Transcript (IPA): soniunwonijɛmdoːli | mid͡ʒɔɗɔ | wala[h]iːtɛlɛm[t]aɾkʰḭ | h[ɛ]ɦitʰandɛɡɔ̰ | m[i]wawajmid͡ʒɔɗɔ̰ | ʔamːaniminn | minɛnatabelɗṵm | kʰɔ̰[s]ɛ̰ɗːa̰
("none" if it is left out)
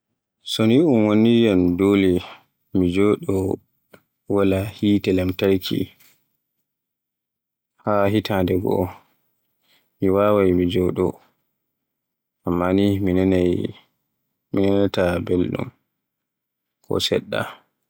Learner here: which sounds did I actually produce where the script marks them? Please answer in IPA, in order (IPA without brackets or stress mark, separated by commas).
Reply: h, t, a, i, s